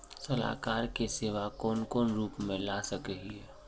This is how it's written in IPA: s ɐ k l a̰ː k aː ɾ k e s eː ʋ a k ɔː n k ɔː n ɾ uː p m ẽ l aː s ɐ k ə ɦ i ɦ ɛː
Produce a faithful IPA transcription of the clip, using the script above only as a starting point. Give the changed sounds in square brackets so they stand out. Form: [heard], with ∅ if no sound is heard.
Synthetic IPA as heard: s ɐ [∅] l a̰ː k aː ɾ k e s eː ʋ a k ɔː n k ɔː n ɾ uː p m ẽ l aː s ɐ k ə ɦ i ɦ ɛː